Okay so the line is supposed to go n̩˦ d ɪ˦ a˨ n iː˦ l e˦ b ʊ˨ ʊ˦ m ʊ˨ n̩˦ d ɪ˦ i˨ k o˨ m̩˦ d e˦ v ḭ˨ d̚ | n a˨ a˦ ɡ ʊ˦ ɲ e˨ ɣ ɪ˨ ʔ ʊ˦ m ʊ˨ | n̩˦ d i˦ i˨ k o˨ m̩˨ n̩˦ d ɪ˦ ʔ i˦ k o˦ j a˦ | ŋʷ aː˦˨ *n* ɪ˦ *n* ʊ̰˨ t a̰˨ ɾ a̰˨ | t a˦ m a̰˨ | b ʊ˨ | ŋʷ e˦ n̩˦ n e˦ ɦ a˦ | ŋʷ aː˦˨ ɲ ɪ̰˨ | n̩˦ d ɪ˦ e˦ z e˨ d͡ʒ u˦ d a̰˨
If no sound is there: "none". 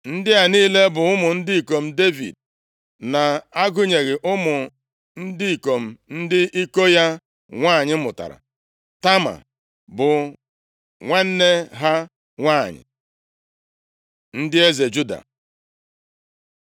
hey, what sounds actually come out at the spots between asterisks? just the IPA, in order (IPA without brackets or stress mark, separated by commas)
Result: ɲ, m